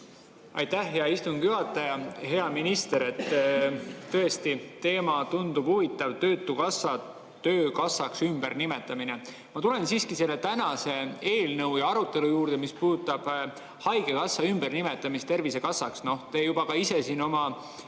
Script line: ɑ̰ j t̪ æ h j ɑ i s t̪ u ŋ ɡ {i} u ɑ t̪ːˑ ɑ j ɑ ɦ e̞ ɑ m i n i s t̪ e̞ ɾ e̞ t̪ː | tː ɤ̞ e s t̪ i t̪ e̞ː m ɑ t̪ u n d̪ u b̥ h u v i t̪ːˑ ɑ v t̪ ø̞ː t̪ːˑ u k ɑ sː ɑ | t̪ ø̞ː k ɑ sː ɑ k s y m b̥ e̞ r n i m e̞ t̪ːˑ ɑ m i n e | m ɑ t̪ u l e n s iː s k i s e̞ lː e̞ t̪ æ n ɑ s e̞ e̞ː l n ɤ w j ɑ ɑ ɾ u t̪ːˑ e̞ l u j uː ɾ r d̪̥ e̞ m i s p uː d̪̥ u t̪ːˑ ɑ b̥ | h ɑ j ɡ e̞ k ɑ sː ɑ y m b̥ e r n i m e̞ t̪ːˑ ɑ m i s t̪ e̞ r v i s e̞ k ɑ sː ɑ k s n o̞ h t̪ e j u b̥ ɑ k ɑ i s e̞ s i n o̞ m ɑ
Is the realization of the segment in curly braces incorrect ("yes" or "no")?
yes